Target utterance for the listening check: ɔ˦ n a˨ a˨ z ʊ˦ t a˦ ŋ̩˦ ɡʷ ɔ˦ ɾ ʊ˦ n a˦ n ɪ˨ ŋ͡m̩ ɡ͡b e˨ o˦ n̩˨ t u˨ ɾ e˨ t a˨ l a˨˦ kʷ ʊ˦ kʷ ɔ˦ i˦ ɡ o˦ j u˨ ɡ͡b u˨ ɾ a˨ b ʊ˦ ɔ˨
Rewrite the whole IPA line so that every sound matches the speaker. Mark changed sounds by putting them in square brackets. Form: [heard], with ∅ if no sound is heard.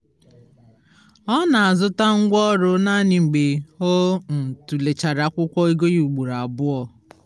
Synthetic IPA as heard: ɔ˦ n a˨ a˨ z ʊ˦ t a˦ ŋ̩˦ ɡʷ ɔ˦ ɾ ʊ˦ n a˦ n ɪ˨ ŋ͡m̩ ɡ͡b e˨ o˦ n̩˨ t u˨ [l] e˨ [t͡ʃ] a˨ [ɾ] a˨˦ kʷ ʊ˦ kʷ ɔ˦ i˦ ɡ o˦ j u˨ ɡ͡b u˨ ɾ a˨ b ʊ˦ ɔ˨